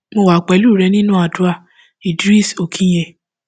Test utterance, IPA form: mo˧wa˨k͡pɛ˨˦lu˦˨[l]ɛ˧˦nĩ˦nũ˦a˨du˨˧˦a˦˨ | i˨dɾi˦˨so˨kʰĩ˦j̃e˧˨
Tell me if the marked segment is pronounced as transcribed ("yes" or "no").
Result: no